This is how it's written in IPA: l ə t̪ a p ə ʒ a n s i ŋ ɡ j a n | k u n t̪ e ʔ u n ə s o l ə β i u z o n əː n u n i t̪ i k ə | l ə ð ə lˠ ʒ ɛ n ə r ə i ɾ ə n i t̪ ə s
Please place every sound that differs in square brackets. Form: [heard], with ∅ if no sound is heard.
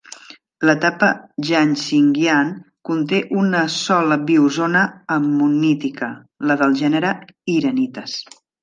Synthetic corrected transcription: l ə t̪ a p ə ʒ a n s i ŋ ɡ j a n | k u n t̪ e ʔ u n ə s [ɔ] l ə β i u z o n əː [m] u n i t̪ i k ə | l ə ð ə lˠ ʒ ɛ n ə [ɾ] ə i ɾ ə n i t̪ ə s